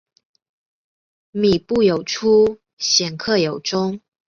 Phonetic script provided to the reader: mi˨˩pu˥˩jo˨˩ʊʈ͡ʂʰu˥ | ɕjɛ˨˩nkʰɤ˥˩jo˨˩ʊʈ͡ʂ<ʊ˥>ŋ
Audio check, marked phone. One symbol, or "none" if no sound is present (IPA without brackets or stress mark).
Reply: ʊ˥